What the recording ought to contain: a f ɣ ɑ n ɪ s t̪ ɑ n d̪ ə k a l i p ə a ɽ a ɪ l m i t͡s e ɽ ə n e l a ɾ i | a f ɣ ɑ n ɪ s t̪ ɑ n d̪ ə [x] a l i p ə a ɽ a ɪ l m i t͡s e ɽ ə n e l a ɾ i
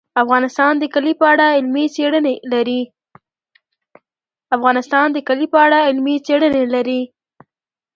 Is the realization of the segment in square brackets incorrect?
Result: yes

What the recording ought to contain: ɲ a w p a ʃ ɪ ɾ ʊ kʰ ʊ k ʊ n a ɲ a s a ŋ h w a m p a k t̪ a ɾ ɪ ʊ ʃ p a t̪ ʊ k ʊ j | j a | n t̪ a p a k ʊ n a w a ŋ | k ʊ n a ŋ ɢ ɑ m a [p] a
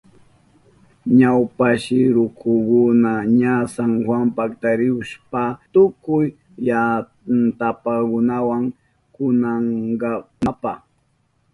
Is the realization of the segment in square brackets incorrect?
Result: no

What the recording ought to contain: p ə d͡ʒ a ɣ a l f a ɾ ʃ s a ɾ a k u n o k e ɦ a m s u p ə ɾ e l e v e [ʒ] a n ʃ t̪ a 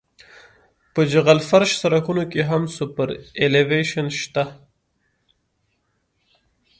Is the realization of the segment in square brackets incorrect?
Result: yes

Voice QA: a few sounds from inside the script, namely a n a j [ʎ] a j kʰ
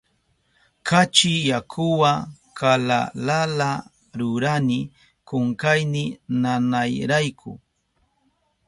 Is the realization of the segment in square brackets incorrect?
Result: yes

